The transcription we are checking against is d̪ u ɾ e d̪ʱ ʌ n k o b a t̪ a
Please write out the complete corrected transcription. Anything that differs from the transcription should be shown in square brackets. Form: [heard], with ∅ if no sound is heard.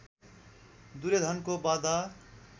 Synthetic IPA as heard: d̪ u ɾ e d̪ʱ ʌ n k o b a [d̪] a